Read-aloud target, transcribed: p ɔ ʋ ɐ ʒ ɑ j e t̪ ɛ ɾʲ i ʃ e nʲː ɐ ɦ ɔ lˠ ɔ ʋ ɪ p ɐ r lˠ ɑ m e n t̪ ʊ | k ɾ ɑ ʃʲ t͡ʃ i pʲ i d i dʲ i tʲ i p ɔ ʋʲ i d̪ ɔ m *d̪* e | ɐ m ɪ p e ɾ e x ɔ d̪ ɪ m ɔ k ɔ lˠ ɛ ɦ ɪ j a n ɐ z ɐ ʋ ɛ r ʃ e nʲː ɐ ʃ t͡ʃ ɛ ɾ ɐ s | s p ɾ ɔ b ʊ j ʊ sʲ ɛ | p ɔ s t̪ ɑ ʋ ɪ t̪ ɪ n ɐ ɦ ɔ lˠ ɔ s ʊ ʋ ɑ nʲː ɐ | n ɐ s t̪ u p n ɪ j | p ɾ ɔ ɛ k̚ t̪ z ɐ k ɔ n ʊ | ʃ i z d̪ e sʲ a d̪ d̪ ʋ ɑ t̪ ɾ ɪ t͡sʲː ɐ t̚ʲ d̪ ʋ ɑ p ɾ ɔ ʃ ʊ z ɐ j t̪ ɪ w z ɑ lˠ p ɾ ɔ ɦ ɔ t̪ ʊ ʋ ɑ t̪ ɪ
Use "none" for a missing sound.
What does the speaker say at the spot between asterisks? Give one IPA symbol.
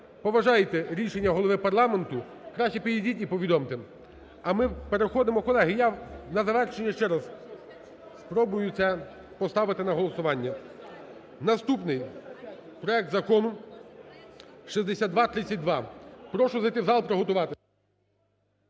t̪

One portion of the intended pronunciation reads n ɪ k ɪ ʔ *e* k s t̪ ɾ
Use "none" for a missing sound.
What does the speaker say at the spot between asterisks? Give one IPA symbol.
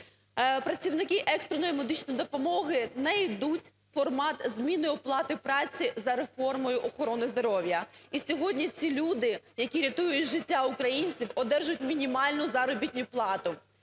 ɛ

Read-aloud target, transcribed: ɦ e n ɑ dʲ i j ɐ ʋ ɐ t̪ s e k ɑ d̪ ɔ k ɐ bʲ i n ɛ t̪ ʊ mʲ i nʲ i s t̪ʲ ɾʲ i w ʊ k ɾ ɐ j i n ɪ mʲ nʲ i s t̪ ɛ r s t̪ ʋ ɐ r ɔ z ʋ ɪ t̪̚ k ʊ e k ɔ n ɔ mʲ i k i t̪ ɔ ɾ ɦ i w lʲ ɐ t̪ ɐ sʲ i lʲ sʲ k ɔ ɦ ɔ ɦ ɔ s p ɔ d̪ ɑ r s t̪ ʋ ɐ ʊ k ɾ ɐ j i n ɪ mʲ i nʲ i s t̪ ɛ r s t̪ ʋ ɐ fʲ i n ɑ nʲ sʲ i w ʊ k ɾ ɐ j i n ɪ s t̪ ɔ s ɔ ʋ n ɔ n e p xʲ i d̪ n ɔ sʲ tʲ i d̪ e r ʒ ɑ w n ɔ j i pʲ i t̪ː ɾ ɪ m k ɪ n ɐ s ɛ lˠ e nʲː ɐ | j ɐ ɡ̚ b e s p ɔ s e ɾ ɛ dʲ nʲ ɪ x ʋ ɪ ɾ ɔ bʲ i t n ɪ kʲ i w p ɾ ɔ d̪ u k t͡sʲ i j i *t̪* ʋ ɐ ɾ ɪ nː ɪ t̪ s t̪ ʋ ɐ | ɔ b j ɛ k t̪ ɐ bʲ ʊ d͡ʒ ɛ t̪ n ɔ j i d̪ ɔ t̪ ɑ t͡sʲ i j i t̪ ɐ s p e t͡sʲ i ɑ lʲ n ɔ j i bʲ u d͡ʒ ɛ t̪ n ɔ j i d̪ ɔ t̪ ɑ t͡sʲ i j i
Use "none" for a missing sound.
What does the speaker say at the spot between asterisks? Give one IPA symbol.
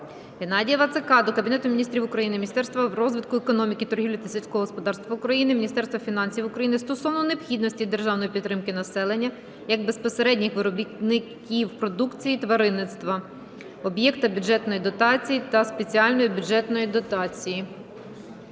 t̪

